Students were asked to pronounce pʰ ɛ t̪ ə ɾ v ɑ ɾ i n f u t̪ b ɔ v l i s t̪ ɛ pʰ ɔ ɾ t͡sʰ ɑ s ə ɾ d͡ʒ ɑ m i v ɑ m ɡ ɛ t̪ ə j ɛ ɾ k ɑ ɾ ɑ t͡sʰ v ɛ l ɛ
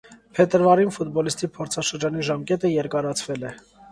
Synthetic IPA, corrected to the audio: pʰ ɛ t̪ ə ɾ v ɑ ɾ i n f u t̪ b ɔ l i s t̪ i pʰ ɔ ɾ t͡sʰ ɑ ʃ ə ɾ d͡ʒ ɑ n i ʒ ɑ m k ɛ t̪ ə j ɛ ɾ k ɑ ɾ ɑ t͡sʰ v ɛ l ɛ